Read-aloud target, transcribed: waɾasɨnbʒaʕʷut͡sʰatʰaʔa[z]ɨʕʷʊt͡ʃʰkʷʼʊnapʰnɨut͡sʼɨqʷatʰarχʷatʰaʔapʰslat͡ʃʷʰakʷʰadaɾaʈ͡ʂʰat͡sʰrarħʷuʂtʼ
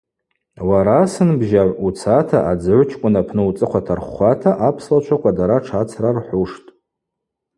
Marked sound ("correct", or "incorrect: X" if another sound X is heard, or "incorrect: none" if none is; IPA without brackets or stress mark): incorrect: d͡z